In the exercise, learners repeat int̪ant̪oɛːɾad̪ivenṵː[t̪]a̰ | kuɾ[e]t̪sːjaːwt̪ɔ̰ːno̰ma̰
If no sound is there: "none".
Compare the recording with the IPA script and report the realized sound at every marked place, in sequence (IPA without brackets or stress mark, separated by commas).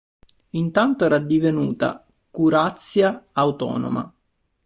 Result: t̪, a